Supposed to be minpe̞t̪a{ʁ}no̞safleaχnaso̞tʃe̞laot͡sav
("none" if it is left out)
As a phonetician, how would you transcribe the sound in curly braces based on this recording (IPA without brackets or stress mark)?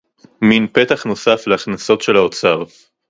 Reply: χ